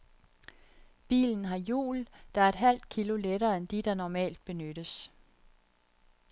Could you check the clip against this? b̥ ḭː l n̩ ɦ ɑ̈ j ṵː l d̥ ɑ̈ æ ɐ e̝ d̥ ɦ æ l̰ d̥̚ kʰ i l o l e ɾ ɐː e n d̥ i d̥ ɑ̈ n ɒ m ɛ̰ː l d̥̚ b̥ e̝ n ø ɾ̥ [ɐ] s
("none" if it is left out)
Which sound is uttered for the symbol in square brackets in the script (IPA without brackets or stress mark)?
ə